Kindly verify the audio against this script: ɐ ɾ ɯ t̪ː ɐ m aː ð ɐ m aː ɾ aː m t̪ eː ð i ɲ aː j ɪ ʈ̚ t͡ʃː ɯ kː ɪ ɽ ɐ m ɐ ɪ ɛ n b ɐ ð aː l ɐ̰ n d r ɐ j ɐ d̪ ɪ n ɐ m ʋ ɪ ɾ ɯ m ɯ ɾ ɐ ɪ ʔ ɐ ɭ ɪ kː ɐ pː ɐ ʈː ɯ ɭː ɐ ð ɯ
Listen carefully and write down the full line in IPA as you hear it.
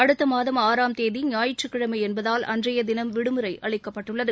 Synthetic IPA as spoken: ɐ ɽ ɯ t̪ː ɐ m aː ð ɐ m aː ɾ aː m t̪ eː ð i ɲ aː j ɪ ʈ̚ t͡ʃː ɯ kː ɪ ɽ ɐ m ɐ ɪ ɛ n b ɐ ð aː l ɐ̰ n d r ɐ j ɐ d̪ ɪ n ɐ m ʋ ɪ ɽ ɯ m ɯ ɾ ɐ ɪ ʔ ɐ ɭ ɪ kː ɐ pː ɐ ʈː ɯ ɭː ɐ ð ɯ

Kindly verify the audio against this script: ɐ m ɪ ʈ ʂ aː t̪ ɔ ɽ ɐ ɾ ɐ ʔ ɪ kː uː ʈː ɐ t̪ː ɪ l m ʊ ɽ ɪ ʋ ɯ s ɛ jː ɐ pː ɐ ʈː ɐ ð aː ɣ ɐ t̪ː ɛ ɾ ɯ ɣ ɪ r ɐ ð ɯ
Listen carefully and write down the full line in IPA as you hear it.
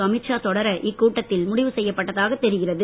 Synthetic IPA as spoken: ɐ m ɪ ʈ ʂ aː t̪ ɔ ɽ ɐ ɾ ɐ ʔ ɪ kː uː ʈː ɐ t̪ː ɪ l m ʊ ɽ ɪ ʋ ɯ s ɛ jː ɐ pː ɐ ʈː ɐ ð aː ɣ ɐ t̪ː ɛ ɾ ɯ ɣ ɪ r ɐ ð ɯ

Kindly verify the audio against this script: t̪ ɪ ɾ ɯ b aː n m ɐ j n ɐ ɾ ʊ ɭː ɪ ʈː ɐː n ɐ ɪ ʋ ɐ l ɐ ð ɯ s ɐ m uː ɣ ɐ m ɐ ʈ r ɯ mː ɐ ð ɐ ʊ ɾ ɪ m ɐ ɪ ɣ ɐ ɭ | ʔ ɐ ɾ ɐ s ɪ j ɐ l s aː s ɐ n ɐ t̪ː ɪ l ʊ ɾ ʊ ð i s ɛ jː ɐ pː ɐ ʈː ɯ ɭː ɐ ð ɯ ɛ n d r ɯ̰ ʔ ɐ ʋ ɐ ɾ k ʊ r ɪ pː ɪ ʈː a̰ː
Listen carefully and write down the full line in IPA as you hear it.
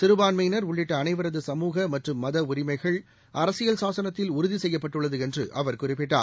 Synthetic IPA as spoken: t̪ ɪ ɾ ɯ b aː n m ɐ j n ɐ ɾ ʊ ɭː ɪ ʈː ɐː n ɐ ɪ ʋ ɐ ɾ ɐ ð ɯ s ɐ m uː ɣ ɐ m ɐ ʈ r ɯ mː ɐ ð ɐ ʊ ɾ ɪ m ɐ ɪ ɣ ɐ ɭ | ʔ ɐ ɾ ɐ s ɪ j ɐ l s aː s ɐ n ɐ t̪ː ɪ l ʊ ɾ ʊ ð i s ɛ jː ɐ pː ɐ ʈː ɯ ɭː ɐ ð ɯ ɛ n d r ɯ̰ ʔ ɐ ʋ ɐ ɾ k ʊ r ɪ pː ɪ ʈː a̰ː

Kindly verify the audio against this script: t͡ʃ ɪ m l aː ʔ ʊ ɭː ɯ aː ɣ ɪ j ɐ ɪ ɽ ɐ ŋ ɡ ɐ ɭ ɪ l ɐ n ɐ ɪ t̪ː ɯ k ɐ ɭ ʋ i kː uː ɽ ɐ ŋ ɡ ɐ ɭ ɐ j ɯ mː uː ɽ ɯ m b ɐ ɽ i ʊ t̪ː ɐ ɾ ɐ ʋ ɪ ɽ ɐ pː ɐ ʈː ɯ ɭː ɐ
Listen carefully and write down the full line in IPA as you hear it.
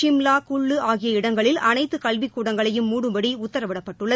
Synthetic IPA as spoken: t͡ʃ ɪ m l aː k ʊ ɭː ɯ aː ɣ ɪ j ɐ ɪ ɽ ɐ ŋ ɡ ɐ ɭ ɪ l ɐ n ɐ ɪ t̪ː ɯ k ɐ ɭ ʋ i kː uː ɽ ɐ ŋ ɡ ɐ ɭ ɐ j ɯ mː uː ɽ ɯ m b ɐ ɽ i ʊ t̪ː ɐ ɾ ɐ ʋ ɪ ɽ ɐ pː ɐ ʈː ɯ ɭː ɐ

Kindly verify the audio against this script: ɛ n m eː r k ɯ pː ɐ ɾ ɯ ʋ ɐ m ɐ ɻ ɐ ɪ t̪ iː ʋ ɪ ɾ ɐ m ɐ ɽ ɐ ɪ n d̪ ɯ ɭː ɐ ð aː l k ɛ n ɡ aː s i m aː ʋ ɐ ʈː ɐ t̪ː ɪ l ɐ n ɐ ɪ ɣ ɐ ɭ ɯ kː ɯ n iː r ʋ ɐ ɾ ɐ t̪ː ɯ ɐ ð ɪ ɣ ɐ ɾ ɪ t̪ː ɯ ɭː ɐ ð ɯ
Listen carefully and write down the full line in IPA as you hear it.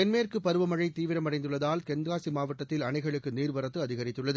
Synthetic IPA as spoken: ɛ n m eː r k ɯ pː ɐ ɾ ɯ ʋ ɐ m ɐ ɻ ɐ ɪ t̪ iː ʋ ɪ ɾ ɐ m ɐ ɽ ɐ ɪ n d̪ ɯ ɭː ɐ ð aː l k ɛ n ɡ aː s i m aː ʋ ɐ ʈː ɐ t̪ː ɪ l ɐ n ɐ ɪ ɣ ɐ ɭ ɯ kː ɯ n iː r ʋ ɐ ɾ ɐ t̪ː ɯ ɐ ð ɪ ɣ ɐ ɾ ɪ t̪ː ɯ ɭː ɐ ð ɯ

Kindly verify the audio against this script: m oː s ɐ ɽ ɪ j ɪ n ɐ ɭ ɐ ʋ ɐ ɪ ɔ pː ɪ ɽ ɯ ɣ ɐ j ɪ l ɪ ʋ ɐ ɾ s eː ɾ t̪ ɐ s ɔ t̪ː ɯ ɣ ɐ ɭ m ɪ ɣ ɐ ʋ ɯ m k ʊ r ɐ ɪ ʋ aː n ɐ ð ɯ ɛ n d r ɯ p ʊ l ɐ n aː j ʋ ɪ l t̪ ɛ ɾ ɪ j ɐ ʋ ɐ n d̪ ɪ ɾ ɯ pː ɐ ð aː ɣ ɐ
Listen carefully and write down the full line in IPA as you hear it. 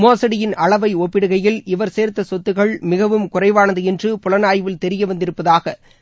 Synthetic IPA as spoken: m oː s ɐ ɽ ɪ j ɪ n ɐ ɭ ɐ ʋ ɐ ɪ ɔ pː ɪ ɽ ɯ ɣ ɐ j ɪ l ɪ ʋ ɐ ɾ s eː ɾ t̪ ɐ s ɔ t̪ː ɯ ɣ ɐ ɭ m ɪ ɣ ɐ ʋ ɯ m k ʊ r ɐ ɪ ʋ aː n ɐ ð ɯ ɛ n d r ɯ p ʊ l ɐ n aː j ʋ ɪ l t̪ ɛ ɾ ɪ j ɐ ʋ ɐ n d̪ ɪ ɾ ɯ pː ɐ ð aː ɣ ɐ

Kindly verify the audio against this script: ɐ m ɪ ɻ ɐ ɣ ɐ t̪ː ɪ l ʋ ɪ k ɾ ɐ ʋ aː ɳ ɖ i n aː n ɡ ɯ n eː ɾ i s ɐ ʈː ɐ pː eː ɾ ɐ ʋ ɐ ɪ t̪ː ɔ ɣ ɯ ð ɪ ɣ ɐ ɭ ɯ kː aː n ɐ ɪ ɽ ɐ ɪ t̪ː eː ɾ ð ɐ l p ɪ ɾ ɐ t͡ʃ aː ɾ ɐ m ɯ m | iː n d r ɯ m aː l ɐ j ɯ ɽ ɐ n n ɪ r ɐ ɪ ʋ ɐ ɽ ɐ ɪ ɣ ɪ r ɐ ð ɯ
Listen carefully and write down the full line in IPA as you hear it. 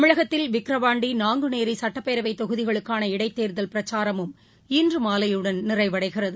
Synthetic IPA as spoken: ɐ m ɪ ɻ ɐ ɣ ɐ t̪ː ɪ l ʋ ɪ k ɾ ɐ ʋ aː ɳ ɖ i n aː ŋ ɡ ɯ n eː ɾ i s ɐ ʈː ɐ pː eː ɾ ɐ ʋ ɐ ɪ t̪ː ɔ ɣ ɯ ð ɪ ɣ ɐ ɭ ɯ kː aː n ɐ ɪ ɽ ɐ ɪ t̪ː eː ɾ ð ɐ l p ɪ ɾ ɐ t͡ʃ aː ɾ ɐ m ɯ m | iː n d r ɯ m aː l ɐ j ɯ ɽ ɐ n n ɪ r ɐ ɪ ʋ ɐ ɽ ɐ ɪ ɣ ɪ r ɐ ð ɯ

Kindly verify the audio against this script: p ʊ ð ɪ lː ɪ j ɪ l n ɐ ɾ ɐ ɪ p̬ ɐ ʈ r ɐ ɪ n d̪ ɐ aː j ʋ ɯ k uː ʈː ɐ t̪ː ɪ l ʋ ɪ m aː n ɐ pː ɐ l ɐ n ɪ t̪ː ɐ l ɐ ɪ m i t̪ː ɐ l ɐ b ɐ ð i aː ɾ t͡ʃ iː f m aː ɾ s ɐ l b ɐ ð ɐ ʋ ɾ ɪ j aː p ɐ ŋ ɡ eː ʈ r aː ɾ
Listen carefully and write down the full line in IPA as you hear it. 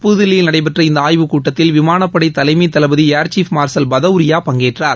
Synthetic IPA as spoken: p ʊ ð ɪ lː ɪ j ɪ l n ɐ ɽ ɐ ɪ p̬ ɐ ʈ r ɐ ɪ n d̪ ɐ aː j ʋ ɯ k uː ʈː ɐ t̪ː ɪ l ʋ ɪ m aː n ɐ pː ɐ ɽ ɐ ɪ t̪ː ɐ l ɐ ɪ m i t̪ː ɐ l ɐ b ɐ ð i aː ɾ t͡ʃ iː f m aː ɾ s ɐ l b ɐ ð ɐ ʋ ɾ ɪ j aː p ɐ ŋ ɡ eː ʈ r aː ɾ

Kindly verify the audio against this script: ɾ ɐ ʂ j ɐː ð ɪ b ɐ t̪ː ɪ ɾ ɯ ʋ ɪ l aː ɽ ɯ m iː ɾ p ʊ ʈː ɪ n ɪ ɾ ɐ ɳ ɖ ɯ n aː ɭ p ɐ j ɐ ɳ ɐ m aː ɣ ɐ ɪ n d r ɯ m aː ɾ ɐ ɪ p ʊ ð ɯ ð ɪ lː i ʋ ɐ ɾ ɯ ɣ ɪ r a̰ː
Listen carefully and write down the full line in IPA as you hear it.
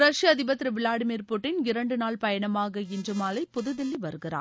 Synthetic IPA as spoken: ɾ ɐ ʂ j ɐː ð ɪ b ɐ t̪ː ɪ ɾ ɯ ʋ ɪ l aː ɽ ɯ m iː ɾ p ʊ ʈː ɪ n ɪ ɾ ɐ ɳ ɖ ɯ n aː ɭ p ɐ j ɐ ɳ ɐ m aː ɣ ɐ ɪ n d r ɯ m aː l ɐ ɪ p ʊ ð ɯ ð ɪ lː i ʋ ɐ ɾ ɯ ɣ ɪ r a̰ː

